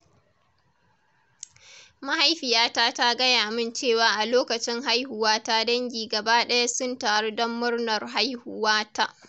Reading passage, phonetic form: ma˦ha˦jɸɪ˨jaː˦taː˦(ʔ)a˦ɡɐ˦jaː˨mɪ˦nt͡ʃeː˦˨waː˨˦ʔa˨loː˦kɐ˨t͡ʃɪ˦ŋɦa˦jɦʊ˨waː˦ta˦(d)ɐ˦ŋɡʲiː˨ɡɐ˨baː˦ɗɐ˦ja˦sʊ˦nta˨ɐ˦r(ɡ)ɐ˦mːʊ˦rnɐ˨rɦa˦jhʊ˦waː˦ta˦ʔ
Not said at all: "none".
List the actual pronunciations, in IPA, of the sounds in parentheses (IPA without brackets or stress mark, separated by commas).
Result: t, d, d